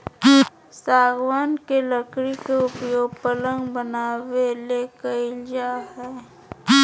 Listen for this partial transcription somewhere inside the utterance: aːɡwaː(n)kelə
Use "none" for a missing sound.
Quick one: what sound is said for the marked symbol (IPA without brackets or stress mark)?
n